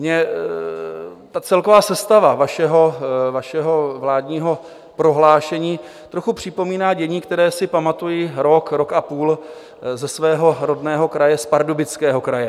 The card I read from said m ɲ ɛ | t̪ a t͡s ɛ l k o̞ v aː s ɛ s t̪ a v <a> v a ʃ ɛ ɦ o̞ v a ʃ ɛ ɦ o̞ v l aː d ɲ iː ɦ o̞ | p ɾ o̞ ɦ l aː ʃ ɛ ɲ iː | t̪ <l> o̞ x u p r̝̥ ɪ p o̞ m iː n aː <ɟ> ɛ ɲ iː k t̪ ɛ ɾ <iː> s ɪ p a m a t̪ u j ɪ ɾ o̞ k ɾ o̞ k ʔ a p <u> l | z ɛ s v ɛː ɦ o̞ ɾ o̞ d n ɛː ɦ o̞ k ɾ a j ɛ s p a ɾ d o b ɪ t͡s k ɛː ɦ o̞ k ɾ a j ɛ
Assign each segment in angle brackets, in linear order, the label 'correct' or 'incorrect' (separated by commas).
correct, incorrect, correct, incorrect, incorrect